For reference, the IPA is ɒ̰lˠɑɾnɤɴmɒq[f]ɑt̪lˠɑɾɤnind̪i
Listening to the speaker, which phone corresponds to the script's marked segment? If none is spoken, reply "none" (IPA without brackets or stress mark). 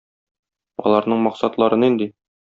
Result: s